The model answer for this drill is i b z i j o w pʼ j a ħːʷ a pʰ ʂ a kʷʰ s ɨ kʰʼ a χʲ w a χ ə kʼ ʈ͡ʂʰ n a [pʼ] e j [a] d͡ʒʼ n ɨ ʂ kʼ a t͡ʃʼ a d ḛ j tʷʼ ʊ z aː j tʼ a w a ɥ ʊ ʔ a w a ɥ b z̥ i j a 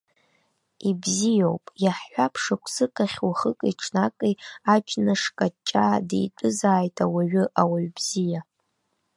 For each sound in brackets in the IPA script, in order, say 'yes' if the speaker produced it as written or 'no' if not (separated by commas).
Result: no, yes